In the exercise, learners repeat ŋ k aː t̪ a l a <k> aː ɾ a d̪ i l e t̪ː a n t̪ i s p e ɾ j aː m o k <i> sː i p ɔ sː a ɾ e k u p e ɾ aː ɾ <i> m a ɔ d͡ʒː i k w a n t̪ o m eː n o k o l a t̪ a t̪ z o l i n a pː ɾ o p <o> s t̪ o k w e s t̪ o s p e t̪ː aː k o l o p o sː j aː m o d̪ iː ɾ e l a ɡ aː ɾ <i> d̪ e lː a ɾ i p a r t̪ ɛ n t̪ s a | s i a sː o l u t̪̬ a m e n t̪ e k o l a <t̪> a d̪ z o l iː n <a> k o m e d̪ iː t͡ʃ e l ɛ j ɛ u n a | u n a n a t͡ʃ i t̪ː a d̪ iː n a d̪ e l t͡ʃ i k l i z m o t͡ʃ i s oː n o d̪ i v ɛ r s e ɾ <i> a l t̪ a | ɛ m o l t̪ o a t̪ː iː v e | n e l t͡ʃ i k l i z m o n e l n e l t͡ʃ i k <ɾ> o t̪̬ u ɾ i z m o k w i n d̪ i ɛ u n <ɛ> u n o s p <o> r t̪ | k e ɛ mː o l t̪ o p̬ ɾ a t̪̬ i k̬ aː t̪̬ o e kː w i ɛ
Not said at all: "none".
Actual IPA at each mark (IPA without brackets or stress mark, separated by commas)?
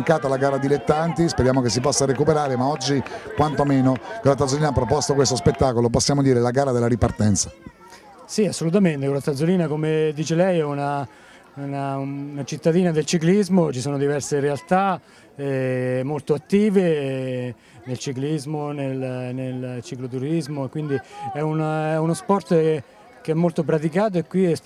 ɡ, e, e, ɔ, a, t̪, a, e, l, ɛ, ɔ